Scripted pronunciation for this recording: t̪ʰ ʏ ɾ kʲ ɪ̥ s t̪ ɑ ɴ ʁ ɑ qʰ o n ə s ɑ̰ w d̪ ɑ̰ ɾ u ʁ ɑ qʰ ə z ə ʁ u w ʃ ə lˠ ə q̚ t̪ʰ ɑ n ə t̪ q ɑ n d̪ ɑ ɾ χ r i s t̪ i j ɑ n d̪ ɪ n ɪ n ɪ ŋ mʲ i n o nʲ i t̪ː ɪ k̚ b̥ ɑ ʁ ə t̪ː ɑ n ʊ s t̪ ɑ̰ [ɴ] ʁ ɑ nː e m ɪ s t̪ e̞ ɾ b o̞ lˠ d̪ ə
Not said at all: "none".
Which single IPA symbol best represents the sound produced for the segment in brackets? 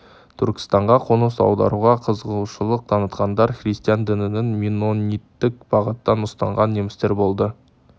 ɴ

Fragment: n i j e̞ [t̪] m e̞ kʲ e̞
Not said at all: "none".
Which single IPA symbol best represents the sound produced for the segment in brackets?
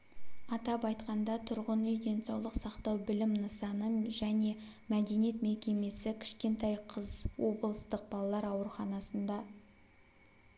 t̪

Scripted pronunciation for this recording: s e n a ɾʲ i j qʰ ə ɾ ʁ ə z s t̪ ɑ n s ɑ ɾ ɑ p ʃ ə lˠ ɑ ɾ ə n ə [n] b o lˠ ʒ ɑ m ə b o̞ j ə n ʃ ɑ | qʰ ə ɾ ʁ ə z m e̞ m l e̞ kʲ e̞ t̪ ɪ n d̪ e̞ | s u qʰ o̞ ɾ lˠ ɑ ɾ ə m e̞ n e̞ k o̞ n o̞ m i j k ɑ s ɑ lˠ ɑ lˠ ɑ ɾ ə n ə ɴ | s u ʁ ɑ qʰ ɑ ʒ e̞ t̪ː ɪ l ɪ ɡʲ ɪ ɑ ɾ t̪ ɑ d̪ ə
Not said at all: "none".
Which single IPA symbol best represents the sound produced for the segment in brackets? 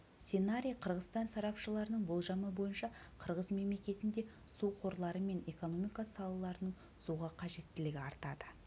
ɴ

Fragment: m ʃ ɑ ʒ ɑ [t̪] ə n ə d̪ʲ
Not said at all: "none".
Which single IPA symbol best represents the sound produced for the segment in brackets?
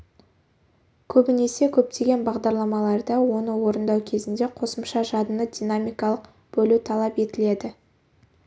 d̪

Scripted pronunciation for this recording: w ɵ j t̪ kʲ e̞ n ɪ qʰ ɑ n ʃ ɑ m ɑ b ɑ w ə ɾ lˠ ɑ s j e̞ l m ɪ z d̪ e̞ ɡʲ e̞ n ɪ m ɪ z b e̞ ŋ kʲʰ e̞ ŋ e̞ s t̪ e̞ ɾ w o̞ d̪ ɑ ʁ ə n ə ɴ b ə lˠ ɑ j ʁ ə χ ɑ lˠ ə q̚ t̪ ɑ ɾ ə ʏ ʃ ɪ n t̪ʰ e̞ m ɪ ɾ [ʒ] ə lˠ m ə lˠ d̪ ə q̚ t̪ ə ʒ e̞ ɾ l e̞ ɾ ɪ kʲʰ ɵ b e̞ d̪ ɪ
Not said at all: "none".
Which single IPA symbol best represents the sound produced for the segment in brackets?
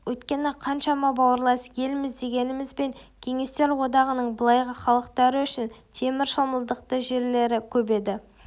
ʃ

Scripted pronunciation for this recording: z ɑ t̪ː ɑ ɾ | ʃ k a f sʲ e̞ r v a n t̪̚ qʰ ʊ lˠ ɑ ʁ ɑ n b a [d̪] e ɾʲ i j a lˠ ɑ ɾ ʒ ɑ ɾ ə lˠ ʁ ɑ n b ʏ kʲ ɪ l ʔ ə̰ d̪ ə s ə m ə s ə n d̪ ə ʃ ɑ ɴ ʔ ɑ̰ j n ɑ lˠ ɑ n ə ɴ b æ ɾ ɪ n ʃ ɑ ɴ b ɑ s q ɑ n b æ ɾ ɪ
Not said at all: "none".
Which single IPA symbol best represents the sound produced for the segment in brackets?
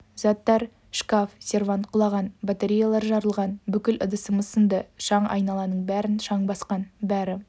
t̪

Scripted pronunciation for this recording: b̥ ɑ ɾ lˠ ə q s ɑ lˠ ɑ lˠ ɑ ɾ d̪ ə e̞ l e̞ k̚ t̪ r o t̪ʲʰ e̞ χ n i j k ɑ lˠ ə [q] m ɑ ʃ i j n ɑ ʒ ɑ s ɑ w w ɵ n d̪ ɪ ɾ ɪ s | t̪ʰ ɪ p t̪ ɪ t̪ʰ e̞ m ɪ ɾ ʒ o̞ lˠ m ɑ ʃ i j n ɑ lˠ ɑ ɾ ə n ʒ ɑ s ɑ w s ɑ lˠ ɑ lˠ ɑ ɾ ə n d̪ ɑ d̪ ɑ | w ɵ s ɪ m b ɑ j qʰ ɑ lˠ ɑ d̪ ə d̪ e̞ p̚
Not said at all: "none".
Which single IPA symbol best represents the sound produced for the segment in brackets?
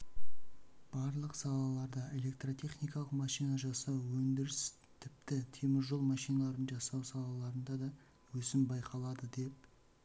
q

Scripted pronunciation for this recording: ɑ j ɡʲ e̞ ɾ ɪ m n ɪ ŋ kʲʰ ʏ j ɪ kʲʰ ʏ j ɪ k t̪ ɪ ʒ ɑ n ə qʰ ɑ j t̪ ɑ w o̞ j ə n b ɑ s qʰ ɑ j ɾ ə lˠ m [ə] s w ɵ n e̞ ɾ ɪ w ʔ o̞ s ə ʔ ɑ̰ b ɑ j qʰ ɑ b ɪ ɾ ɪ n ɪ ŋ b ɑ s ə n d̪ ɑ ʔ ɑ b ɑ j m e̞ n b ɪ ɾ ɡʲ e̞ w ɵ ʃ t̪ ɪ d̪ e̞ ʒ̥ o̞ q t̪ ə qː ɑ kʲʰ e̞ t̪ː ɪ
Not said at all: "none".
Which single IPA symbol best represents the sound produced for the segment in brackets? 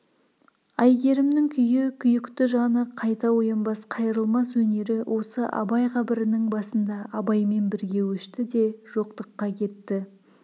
ɑ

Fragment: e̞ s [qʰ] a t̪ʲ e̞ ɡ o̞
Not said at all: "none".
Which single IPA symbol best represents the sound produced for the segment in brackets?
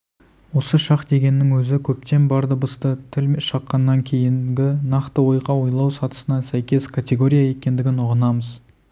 kʰ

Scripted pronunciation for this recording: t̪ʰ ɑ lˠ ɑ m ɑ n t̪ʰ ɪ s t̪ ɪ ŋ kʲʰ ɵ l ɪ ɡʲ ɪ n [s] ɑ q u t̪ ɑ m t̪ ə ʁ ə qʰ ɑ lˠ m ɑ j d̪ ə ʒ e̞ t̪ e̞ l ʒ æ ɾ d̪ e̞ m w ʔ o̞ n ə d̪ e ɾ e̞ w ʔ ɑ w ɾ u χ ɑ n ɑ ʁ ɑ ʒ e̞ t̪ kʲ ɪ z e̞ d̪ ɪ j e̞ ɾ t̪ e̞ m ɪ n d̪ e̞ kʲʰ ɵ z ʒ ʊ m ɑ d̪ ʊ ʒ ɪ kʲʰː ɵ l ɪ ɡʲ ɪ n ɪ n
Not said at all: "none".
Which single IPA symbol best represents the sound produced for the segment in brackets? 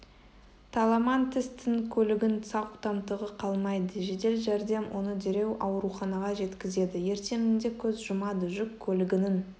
s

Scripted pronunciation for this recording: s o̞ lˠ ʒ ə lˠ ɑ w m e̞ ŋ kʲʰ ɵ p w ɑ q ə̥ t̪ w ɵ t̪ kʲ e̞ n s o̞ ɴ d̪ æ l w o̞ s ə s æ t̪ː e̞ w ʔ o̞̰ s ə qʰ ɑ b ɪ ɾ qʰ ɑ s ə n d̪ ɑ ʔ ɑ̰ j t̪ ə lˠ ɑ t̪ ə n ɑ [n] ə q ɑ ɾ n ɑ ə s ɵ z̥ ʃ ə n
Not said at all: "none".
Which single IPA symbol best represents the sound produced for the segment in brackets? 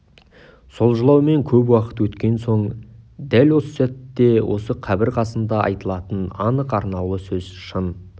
n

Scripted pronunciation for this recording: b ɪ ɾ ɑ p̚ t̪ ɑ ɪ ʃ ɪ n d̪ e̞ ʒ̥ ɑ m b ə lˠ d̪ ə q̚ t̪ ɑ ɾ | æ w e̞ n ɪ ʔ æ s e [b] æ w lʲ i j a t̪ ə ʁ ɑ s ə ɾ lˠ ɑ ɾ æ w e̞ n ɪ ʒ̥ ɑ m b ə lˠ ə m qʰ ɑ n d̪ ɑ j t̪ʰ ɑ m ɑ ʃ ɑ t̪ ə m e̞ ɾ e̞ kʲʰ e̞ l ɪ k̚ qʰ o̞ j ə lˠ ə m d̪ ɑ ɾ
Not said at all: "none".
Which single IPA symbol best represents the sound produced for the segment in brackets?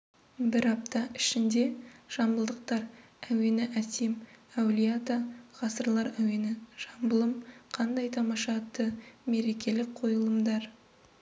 m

